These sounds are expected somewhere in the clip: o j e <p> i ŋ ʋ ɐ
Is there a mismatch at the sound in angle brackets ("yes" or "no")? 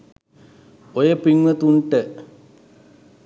no